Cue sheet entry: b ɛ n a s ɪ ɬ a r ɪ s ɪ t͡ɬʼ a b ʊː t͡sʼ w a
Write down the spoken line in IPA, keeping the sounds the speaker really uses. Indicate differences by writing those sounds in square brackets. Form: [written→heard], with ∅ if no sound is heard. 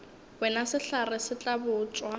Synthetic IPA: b ɛ n a s ɪ ɬ a r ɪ s ɪ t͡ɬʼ a b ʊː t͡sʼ w a